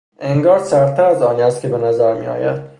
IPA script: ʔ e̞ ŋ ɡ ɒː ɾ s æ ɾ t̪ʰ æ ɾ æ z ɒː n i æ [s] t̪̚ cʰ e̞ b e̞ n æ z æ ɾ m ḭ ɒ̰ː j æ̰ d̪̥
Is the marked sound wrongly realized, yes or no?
no